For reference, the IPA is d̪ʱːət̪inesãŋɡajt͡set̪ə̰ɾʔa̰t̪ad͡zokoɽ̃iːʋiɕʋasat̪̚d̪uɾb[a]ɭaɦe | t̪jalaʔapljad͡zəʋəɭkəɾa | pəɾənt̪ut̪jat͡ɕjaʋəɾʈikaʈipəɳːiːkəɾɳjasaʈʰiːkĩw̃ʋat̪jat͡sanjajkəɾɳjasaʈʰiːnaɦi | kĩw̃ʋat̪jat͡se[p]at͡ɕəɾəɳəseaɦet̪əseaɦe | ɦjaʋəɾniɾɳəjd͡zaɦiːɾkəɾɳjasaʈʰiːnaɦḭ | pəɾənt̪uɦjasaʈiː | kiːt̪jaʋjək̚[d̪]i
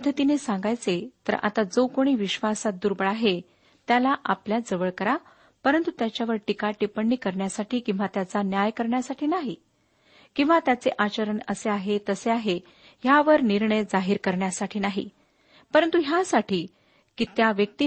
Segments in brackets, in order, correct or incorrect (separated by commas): incorrect, incorrect, incorrect